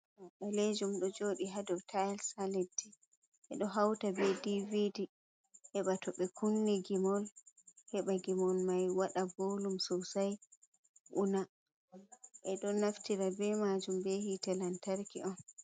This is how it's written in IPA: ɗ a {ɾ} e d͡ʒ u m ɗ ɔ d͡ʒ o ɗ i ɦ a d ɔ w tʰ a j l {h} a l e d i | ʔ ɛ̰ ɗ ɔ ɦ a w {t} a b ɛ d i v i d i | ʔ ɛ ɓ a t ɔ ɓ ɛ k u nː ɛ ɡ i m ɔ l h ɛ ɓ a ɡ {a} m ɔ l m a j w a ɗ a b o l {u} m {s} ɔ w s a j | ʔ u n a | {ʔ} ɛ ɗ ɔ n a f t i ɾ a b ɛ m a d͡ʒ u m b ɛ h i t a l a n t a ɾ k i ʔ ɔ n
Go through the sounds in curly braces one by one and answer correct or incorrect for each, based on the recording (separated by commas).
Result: incorrect, incorrect, correct, incorrect, correct, correct, correct